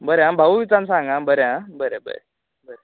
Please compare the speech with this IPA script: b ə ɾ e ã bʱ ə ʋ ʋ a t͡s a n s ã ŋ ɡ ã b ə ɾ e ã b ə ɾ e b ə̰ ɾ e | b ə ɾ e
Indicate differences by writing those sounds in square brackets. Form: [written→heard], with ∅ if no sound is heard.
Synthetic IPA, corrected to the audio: b ə ɾ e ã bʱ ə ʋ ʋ [a→i] t͡s a n s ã ŋ ɡ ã b ə ɾ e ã b ə ɾ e b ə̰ ɾ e | b ə ɾ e